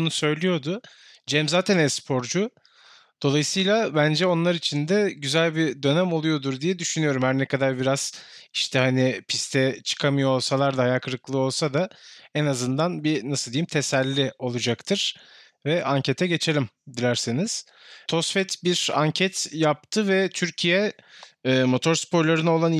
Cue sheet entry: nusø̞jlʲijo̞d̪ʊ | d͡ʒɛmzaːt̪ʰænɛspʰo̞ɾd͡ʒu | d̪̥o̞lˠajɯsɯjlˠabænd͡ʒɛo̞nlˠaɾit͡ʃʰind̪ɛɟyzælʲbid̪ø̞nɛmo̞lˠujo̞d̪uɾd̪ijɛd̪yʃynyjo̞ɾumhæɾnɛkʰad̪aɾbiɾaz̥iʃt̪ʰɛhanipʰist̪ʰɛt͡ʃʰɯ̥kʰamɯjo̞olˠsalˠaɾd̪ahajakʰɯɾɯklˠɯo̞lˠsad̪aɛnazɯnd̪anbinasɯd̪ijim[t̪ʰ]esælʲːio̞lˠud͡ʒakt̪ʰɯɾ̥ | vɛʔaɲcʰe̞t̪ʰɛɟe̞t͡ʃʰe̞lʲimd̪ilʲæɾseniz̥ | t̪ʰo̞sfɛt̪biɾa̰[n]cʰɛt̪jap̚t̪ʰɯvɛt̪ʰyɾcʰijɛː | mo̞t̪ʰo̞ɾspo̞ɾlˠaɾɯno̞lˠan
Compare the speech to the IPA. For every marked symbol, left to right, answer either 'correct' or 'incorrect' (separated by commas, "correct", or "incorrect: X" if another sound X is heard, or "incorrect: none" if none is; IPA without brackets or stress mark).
correct, incorrect: ɲ